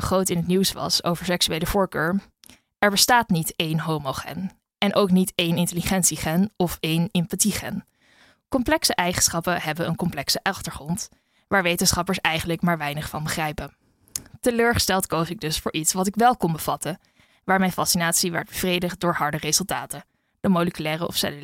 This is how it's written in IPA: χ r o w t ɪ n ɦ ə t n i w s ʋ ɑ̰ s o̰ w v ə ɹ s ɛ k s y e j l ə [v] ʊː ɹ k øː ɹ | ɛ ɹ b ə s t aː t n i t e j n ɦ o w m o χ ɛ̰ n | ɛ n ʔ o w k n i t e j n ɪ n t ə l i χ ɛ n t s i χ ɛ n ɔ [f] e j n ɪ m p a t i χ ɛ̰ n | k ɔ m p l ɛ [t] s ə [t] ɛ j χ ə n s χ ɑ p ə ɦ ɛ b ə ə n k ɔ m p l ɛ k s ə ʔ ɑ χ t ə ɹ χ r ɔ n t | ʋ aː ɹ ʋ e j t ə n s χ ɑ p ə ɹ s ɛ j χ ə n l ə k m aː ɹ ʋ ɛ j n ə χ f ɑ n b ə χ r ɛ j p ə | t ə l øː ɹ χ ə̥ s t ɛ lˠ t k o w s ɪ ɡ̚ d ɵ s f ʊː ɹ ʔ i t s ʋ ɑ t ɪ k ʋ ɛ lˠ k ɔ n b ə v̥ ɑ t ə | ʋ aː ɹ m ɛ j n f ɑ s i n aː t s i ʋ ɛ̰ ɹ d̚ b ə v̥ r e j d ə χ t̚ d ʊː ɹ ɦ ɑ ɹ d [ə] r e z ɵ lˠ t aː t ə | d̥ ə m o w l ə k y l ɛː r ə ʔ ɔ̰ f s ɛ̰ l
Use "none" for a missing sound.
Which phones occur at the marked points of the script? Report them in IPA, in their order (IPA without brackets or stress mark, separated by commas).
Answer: v, f, k, ʔ, ə